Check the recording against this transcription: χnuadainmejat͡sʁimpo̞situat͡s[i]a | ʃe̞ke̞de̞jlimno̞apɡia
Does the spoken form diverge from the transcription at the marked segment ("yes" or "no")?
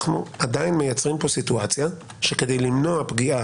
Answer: yes